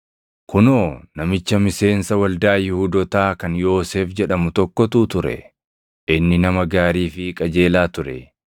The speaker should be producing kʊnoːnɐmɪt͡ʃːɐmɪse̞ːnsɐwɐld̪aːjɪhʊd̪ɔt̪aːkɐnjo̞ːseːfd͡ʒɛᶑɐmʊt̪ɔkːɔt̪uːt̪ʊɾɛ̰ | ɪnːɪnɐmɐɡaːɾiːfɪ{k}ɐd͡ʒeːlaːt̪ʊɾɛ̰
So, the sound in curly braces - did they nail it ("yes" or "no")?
no